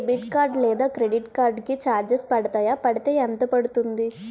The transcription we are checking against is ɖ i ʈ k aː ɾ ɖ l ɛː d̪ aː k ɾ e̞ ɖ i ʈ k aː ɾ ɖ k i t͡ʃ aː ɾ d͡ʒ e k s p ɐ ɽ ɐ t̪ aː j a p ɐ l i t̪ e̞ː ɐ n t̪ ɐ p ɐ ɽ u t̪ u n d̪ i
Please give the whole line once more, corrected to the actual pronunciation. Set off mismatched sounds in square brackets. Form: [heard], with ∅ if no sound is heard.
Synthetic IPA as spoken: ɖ i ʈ k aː ɾ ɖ l ɛː d̪ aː k ɾ e̞ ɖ i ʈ k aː ɾ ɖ k i t͡ʃ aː ɾ d͡ʒ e [∅] s p ɐ ɽ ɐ t̪ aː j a p ɐ [ɽ] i t̪ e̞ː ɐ n t̪ ɐ p ɐ ɽ u t̪ u n d̪ i